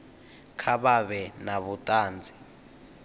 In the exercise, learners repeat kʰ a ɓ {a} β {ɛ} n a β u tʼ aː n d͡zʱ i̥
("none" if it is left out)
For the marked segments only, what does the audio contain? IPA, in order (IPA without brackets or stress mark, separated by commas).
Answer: a, ɛ